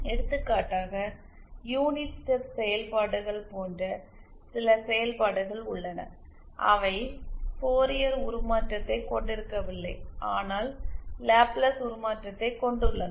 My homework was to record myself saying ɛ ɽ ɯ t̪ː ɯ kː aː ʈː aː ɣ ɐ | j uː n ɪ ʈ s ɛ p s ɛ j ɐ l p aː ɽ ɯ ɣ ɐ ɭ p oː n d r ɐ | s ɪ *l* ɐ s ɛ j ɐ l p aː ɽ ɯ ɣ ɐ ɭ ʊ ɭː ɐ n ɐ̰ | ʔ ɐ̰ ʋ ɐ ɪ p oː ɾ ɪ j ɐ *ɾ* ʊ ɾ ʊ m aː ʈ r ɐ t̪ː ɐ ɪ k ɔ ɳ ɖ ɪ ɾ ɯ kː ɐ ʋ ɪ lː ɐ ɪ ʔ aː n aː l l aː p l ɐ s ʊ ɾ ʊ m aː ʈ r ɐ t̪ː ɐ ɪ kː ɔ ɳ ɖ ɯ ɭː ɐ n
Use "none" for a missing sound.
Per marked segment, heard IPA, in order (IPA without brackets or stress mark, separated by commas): l, ɾ